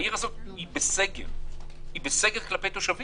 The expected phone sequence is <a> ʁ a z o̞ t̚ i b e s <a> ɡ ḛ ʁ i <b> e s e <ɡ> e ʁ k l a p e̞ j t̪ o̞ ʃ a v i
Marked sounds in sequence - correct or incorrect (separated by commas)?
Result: incorrect, incorrect, correct, correct